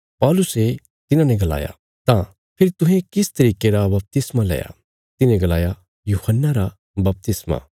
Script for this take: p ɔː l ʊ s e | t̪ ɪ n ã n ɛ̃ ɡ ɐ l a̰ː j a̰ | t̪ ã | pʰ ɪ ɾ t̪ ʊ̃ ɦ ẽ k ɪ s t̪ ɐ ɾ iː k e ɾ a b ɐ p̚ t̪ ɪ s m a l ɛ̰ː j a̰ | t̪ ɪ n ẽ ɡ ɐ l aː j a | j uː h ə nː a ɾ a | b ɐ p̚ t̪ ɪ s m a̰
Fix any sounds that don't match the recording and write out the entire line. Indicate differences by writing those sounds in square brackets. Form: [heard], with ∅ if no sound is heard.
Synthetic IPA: p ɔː l ʊ s e | t̪ ɪ n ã n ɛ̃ ɡ ɐ l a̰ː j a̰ | t̪ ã | pʰ ɪ ɾ t̪ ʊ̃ ɦ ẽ k ɪ s t̪ ɐ ɾ iː k e ɾ a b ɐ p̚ t̪ ɪ s m a l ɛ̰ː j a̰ | t̪ ɪ n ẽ ɡ ɐ l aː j a | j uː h ə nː a ɾ a | b ɐ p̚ t̪ ɪ s m a̰